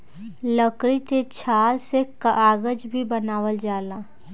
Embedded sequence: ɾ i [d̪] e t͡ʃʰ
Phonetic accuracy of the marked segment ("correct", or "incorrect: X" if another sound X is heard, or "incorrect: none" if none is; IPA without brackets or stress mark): incorrect: t̪